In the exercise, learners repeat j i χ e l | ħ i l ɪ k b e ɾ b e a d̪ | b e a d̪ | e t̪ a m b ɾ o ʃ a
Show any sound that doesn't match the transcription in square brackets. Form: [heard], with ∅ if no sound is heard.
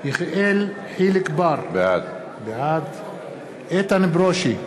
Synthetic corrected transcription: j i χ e l | ħ i l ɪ k b [a] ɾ b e a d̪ | b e a d̪ | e t̪ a [n] b ɾ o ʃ [i]